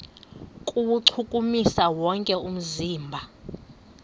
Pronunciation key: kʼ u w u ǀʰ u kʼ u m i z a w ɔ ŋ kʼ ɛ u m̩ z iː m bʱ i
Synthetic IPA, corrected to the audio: kʼ u w u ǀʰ u kʼ u m i s a w ɔ ŋ kʼ ɛ u m̩ z iː m bʱ a